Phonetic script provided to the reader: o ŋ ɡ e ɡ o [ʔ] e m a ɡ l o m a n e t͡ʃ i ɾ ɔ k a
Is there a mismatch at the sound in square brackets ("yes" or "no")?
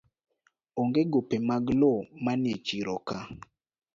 yes